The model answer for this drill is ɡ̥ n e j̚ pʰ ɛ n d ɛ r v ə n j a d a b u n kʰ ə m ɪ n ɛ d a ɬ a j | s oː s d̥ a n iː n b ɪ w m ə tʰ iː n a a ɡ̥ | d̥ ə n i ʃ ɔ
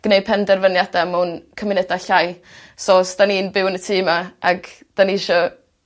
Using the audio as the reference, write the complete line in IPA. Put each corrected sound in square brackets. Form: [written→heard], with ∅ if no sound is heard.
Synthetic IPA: ɡ̥ n e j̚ pʰ ɛ n d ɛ r v ə n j a d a [b→m] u n kʰ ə m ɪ n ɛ d a ɬ a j | s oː s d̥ a n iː n b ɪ w [m→n] ə tʰ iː [n→m] a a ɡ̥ | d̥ [ə→a] n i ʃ ɔ